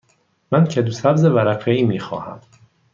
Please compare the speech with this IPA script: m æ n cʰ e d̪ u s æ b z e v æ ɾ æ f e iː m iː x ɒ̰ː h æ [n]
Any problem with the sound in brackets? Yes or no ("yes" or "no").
yes